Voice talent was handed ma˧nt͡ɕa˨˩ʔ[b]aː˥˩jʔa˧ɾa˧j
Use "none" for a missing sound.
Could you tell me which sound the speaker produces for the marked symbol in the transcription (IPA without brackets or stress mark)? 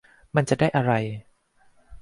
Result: d